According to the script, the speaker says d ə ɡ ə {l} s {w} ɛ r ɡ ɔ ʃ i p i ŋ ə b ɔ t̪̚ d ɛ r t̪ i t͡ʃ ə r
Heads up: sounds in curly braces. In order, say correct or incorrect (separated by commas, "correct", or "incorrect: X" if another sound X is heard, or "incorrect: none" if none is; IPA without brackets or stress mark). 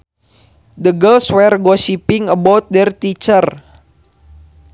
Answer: correct, correct